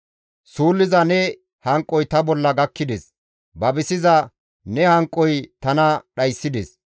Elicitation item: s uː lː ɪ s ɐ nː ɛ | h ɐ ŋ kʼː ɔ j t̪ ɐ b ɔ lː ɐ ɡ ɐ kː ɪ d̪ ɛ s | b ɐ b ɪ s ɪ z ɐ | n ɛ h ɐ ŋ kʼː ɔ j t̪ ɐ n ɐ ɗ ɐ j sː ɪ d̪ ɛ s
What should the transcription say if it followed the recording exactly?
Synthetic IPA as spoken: s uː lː ɪ z ɐ n ɛ | h ɐ ŋ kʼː ɔ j t̪ ɐ b ɔ lː ɐ ɡ ɐ kː ɪ d̪ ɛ s | b ɐ b ɪ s ɪ z ɐ | n ɛ h ɐ ŋ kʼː ɔ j t̪ ɐ n ɐ ɗ ɐ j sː ɪ d̪ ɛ s